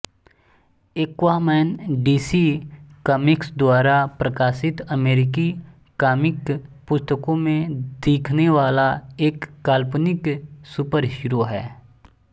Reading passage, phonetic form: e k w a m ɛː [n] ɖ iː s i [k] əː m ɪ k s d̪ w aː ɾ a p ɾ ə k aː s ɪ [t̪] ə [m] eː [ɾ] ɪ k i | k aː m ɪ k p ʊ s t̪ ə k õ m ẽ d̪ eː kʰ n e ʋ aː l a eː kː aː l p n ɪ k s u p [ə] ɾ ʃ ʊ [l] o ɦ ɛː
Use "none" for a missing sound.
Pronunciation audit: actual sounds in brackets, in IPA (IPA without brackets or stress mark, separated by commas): n, k, t̪, m, ɾ, ə, ɾ